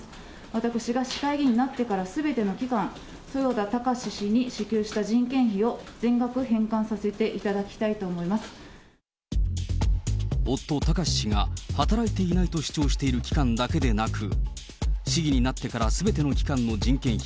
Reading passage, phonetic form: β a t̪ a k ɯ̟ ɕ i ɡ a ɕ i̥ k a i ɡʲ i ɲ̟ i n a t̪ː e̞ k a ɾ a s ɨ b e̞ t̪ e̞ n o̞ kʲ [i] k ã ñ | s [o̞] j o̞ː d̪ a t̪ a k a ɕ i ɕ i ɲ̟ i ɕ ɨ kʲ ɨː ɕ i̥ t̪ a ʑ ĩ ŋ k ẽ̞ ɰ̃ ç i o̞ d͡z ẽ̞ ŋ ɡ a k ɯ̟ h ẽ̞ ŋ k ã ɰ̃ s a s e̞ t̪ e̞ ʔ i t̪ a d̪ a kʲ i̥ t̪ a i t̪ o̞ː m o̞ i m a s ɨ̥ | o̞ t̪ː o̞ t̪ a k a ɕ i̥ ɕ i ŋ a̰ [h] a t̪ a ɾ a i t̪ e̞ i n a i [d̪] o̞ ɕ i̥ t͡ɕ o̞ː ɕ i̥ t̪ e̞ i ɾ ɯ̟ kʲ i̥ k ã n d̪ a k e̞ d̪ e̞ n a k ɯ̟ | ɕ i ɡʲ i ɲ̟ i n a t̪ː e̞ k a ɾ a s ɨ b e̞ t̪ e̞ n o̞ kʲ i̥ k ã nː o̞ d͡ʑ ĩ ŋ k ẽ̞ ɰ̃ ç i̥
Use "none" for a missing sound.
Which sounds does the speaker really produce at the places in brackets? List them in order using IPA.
i, o̞, h, t̪

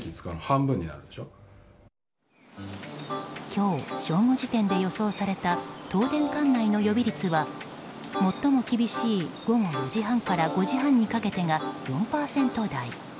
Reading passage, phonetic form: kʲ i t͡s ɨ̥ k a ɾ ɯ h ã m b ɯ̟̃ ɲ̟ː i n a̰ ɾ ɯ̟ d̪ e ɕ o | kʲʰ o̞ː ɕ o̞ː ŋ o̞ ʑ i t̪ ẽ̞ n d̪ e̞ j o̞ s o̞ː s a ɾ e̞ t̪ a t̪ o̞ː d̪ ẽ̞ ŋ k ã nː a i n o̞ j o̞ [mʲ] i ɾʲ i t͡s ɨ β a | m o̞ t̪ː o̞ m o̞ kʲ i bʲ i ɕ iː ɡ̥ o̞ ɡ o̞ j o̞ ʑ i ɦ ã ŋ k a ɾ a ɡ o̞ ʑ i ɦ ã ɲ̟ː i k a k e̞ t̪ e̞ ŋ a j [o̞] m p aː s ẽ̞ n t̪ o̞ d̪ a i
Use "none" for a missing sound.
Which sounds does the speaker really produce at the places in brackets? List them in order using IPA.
bʲ, õ̞

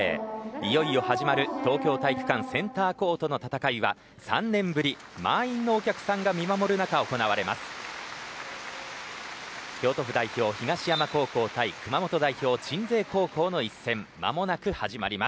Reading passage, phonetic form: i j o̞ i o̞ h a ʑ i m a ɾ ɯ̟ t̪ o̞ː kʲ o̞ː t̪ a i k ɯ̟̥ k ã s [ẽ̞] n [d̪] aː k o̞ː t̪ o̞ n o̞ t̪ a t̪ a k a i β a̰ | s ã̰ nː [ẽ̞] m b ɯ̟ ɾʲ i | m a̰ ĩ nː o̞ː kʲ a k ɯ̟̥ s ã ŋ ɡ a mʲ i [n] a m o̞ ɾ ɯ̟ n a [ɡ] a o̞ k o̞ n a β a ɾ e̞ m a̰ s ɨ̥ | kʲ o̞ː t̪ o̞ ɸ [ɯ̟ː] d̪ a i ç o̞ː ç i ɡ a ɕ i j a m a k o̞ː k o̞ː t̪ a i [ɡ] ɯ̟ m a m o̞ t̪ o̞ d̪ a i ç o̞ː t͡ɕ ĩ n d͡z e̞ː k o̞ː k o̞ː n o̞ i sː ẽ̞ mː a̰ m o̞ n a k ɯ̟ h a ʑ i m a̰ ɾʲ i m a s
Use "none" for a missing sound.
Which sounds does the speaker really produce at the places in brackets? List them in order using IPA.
ẽ̞, t̪, ẽ̞, m, k, ɯ̟, k

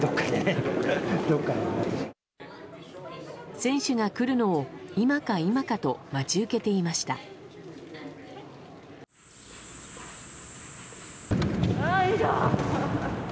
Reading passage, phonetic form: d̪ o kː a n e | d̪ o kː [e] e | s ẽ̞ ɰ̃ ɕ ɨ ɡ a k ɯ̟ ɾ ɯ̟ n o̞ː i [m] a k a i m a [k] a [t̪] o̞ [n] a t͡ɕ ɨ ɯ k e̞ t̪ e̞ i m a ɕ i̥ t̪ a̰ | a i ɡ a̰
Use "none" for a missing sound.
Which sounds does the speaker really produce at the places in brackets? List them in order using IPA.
a, m, k, t̪, m

